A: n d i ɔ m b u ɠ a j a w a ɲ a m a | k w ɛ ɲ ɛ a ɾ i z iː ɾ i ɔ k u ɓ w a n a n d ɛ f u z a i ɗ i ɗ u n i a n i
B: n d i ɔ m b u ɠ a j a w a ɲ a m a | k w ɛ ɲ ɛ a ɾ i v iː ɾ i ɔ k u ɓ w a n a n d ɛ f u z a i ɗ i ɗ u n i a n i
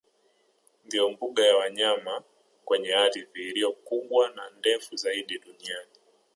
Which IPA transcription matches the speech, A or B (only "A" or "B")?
B